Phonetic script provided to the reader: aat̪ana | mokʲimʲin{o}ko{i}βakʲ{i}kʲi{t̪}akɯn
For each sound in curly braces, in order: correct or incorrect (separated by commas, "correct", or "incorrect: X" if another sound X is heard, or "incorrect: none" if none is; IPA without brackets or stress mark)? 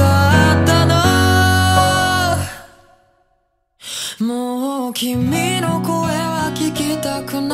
correct, incorrect: e, correct, correct